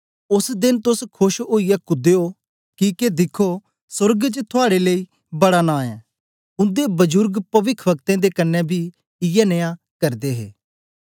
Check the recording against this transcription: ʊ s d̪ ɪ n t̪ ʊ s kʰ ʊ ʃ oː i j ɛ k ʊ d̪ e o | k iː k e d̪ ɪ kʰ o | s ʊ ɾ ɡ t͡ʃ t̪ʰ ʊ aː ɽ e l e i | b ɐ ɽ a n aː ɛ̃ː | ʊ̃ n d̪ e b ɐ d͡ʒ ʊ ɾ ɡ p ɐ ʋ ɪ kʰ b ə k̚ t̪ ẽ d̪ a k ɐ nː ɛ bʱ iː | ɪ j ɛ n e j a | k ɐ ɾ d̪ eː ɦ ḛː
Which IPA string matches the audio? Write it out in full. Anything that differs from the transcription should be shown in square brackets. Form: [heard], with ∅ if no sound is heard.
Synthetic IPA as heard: ʊ s d̪ ɪ n t̪ ʊ s kʰ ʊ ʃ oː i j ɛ k ʊ d̪ e o | k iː k e d̪ ɪ kʰ o | s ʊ ɾ ɡ t͡ʃ t̪ʰ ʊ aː ɽ e l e i | b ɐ ɽ a n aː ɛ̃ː | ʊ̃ n d̪ e b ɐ d͡ʒ ʊ ɾ ɡ p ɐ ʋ ɪ kʰ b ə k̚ t̪ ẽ d̪ [e] k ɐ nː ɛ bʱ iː | ɪ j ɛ n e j a | k ɐ ɾ d̪ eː ɦ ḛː

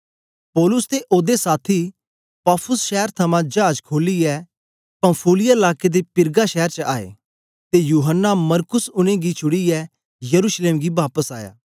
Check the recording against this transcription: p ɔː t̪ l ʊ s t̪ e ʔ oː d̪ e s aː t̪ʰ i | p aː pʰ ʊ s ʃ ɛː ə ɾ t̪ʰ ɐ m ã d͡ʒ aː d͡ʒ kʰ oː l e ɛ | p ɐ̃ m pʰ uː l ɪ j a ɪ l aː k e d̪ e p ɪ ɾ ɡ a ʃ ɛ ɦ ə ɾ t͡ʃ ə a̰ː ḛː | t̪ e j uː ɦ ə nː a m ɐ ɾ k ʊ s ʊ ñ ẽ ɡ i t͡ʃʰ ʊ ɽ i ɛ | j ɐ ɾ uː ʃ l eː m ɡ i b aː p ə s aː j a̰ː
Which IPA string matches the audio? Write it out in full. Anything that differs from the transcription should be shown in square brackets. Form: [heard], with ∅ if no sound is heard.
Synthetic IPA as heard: p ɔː [∅] l ʊ s t̪ e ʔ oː d̪ e s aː t̪ʰ i | p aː pʰ ʊ s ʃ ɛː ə ɾ t̪ʰ ɐ m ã d͡ʒ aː d͡ʒ kʰ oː l [i] ɛ | p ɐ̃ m pʰ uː l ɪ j a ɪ l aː k e d̪ e p ɪ ɾ ɡ a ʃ ɛ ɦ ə ɾ t͡ʃ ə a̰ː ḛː | t̪ e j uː ɦ ə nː a m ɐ ɾ k ʊ s ʊ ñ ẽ ɡ i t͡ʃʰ ʊ ɽ i ɛ | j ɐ ɾ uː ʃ l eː m ɡ i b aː p ə s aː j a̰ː

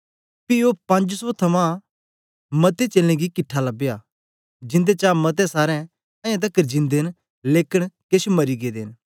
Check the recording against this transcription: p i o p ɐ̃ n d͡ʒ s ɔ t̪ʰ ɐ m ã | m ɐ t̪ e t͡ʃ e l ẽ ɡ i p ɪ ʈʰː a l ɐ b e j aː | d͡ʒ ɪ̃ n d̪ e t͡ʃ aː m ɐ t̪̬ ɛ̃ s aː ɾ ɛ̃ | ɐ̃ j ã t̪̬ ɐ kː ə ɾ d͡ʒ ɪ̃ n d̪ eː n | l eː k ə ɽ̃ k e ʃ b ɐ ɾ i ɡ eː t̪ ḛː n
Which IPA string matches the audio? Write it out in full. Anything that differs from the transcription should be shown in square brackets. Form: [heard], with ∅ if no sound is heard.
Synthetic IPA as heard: p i o p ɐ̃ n d͡ʒ s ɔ t̪ʰ ɐ m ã | m ɐ t̪ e t͡ʃ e l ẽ ɡ i [k] ɪ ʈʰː a l ɐ b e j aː | d͡ʒ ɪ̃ n d̪ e t͡ʃ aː m ɐ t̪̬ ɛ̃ s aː ɾ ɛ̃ | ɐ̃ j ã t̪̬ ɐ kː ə ɾ d͡ʒ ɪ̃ n d̪ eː n | l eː k ə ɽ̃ k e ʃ [m] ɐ ɾ i ɡ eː [d̪] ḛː n

